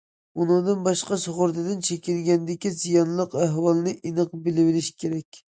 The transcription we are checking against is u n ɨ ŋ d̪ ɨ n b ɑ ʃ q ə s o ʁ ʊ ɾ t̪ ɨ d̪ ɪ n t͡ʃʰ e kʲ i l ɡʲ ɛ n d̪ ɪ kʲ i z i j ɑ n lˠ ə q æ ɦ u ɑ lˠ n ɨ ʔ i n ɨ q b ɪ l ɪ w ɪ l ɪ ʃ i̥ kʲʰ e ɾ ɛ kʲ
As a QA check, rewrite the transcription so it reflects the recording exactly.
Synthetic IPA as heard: u n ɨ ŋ d̪ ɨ n b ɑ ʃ q ɑ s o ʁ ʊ ɾ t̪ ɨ d̪ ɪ n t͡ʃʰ e kʲ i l ɡʲ ɛ n d̪ ɪ kʲ i z i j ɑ n lˠ ə q æ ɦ w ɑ lˠ n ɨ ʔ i n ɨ q b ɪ l ɪ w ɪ l ɪ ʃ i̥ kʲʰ e ɾ ɛ kʲ